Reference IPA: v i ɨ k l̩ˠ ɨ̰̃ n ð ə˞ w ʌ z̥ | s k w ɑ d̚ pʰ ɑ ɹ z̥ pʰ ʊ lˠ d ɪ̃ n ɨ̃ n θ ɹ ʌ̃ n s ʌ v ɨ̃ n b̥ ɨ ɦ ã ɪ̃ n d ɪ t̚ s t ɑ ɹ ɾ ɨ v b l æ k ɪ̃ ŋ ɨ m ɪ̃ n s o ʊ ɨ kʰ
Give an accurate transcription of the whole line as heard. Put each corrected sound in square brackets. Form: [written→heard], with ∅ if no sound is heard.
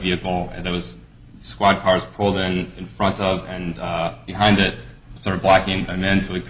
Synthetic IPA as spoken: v i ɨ k l̩ˠ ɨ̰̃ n ð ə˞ w ʌ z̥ | s k w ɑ d̚ [pʰ→kʰ] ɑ ɹ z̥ pʰ ʊ lˠ d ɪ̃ n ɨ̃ n [θ→f] ɹ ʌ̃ n [s→t] ʌ v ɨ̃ n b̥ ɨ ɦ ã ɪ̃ n d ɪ t̚ s t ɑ ɹ ɾ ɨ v b l æ k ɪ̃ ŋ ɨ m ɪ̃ n s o ʊ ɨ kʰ

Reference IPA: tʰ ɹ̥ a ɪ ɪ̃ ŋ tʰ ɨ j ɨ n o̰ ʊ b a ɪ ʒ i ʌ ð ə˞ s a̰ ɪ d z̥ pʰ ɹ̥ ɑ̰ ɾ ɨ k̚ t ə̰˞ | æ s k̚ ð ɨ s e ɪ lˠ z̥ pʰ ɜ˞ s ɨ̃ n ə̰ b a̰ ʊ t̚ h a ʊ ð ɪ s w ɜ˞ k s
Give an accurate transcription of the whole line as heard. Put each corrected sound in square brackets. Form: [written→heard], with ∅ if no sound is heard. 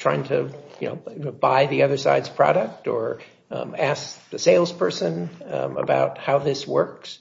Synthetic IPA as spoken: tʰ ɹ̥ a ɪ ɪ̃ ŋ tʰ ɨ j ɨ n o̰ ʊ b a ɪ [ʒ→ð] i ʌ ð ə˞ s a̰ ɪ d z̥ pʰ ɹ̥ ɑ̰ ɾ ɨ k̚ t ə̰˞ | æ s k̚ ð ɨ s e ɪ lˠ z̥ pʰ ɜ˞ s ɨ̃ n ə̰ b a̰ ʊ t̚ h a ʊ ð ɪ s w ɜ˞ k s

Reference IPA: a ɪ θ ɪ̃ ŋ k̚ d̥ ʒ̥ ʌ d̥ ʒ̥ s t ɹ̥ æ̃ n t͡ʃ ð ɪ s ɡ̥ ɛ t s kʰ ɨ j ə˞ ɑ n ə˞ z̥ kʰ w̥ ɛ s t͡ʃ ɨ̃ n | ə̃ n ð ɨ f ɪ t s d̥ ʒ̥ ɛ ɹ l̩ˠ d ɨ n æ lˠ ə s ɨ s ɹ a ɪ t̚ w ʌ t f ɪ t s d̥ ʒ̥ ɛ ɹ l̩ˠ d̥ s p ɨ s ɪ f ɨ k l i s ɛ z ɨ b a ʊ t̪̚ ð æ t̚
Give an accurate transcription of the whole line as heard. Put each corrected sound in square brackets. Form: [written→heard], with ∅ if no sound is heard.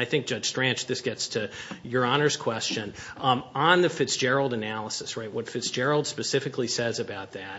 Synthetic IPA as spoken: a ɪ θ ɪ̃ ŋ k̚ d̥ ʒ̥ ʌ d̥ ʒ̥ s t ɹ̥ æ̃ n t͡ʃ ð ɪ s ɡ̥ ɛ t s [kʰ→tʰ] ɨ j ə˞ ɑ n ə˞ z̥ kʰ w̥ ɛ s t͡ʃ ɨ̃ n | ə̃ n ð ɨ f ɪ t s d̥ ʒ̥ ɛ ɹ l̩ˠ d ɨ n æ lˠ ə s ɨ s ɹ a ɪ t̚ w ʌ t f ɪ t s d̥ ʒ̥ ɛ ɹ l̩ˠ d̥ s p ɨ s ɪ f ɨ k l i s ɛ z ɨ b a ʊ t̪̚ ð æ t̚

